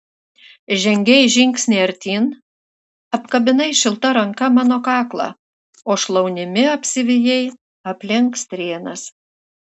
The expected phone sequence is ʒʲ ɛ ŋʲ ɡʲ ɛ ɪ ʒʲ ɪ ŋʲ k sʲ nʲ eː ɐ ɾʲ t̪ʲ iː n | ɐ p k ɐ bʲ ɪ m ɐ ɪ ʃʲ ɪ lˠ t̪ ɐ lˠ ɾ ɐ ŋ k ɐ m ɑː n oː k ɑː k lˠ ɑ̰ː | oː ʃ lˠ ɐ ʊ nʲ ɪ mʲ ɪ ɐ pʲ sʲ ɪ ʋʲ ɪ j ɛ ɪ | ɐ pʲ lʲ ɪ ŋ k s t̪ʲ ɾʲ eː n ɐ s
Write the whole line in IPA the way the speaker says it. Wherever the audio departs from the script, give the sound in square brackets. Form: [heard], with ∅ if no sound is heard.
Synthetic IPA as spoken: ʒʲ ɛ ŋʲ ɡʲ ɛ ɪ ʒʲ ɪ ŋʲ k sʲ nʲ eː ɐ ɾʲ t̪ʲ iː n | ɐ p k ɐ bʲ ɪ [n] ɐ ɪ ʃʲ ɪ lˠ t̪ ɐ [∅] ɾ ɐ ŋ k ɐ m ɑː n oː k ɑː k lˠ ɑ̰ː | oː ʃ lˠ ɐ ʊ nʲ ɪ mʲ ɪ ɐ pʲ sʲ ɪ ʋʲ ɪ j ɛ ɪ | ɐ pʲ lʲ ɪ ŋ k s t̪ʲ ɾʲ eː n ɐ s